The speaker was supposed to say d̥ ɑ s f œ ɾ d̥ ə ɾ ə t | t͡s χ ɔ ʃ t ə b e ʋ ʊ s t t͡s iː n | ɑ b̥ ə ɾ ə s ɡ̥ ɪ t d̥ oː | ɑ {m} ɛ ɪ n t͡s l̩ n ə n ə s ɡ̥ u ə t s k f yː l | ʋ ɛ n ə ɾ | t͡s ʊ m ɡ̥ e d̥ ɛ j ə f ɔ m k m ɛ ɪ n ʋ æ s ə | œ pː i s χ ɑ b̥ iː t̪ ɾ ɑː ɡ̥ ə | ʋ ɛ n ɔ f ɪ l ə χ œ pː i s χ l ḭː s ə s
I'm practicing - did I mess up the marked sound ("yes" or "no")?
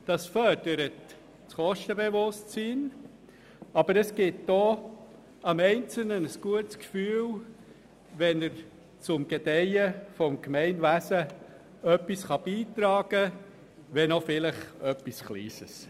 no